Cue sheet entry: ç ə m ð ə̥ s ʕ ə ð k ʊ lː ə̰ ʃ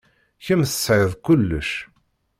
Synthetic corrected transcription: ç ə m θ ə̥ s ʕ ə ð k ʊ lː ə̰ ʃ